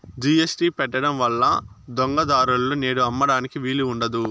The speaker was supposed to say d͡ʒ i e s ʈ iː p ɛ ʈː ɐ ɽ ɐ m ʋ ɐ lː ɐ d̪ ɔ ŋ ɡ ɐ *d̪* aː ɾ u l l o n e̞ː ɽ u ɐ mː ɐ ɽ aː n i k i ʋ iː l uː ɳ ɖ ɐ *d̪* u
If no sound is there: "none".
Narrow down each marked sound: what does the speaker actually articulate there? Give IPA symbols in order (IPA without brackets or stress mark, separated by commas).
d̪, d̪